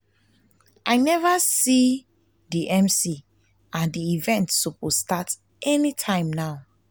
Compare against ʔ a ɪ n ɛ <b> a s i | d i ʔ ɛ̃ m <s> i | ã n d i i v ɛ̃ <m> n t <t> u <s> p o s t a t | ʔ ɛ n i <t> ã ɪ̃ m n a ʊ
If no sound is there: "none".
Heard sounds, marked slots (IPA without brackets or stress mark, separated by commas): v, s, none, s, none, tʰ